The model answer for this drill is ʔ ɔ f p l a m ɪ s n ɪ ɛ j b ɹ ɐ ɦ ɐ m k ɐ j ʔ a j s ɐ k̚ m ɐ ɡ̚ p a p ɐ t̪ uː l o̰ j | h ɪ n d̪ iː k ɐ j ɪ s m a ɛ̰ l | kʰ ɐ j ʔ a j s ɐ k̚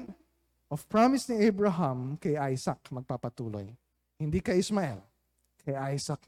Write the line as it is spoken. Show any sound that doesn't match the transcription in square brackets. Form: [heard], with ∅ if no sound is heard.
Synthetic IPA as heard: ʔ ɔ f p [ɹ] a m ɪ s n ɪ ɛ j b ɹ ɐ ɦ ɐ m k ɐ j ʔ a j s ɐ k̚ m ɐ ɡ̚ p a p ɐ t̪ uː l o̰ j | h ɪ n d̪ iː k ɐ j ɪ s m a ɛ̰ l | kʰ ɐ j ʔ a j s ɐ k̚